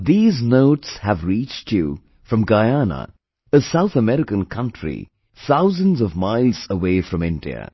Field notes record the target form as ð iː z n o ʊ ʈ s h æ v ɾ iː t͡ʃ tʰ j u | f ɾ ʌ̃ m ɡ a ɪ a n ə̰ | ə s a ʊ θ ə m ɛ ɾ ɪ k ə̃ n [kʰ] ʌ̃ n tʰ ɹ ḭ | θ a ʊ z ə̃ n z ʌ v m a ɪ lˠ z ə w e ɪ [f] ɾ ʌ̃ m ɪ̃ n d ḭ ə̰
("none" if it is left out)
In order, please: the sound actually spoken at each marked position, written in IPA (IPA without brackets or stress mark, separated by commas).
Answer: kʰ, f